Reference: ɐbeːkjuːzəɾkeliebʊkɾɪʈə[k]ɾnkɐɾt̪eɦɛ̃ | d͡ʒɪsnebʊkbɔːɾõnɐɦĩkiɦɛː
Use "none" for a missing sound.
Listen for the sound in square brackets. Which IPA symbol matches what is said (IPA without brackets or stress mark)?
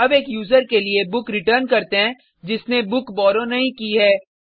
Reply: none